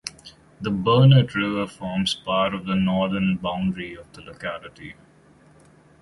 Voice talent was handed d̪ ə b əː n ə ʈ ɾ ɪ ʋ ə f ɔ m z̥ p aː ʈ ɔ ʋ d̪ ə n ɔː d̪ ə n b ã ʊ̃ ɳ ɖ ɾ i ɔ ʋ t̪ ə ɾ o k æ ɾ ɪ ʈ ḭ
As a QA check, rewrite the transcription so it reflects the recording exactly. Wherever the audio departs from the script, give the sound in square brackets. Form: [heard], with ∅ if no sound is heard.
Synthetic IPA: d̪ ə b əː n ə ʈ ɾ ɪ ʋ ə f [ɔː] m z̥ p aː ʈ ɔ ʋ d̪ ə n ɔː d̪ ə n b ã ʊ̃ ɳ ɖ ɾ i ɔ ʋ [d̪] ə [l] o k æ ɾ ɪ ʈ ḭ

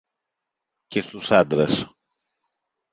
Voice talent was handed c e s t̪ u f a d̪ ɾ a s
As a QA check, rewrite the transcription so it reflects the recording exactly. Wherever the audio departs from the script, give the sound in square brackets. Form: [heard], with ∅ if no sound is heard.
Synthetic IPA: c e s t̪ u [s] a d̪ ɾ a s

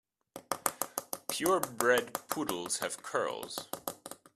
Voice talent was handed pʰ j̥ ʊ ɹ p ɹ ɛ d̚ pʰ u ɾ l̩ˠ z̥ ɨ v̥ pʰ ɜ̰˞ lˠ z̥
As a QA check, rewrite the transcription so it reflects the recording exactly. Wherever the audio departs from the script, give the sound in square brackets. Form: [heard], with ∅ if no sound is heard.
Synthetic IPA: pʰ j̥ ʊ ɹ [b] ɹ ɛ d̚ pʰ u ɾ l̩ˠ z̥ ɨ v̥ [kʰ] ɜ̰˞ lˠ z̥

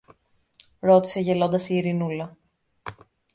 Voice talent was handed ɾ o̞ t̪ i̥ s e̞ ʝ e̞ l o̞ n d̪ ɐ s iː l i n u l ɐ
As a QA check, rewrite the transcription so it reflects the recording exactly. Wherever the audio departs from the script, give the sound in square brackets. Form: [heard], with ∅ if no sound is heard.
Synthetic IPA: ɾ o̞ t̪ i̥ s e̞ ʝ e̞ l o̞ n d̪ ɐ s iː [ɾ] i n u l ɐ

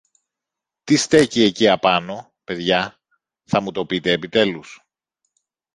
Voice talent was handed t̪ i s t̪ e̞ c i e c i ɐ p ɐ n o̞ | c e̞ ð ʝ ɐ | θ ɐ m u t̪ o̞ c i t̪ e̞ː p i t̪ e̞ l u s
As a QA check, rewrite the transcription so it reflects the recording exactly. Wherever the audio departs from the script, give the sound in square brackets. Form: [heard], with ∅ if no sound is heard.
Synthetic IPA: t̪ i s t̪ e̞ c i e c i ɐ p ɐ n o̞ | [p] e̞ ð ʝ ɐ | θ ɐ m u t̪ o̞ [p] i t̪ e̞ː p i t̪ e̞ l u s

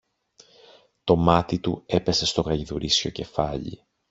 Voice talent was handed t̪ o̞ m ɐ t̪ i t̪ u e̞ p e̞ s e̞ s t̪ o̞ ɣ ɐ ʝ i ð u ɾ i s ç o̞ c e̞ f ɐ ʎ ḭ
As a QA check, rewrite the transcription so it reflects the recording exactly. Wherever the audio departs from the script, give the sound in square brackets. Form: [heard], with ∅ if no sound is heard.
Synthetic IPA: t̪ o̞ m ɐ t̪ i t̪ u e̞ p e̞ s e̞ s t̪ o̞ ɣ ɐ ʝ i ð u ɾ i s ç o̞ c e̞ f ɐ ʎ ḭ

